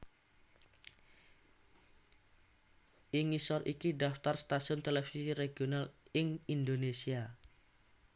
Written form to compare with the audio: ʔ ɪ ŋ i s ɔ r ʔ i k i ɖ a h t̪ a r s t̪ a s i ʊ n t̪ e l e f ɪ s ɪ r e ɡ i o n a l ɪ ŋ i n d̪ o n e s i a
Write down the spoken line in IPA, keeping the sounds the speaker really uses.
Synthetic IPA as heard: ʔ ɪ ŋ i s ɔ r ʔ i k i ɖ a f t̪ a r s t̪ a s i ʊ n t̪ e l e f i s i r e ɡ i o n a l ɪ ŋ i n d̪ o n e s i a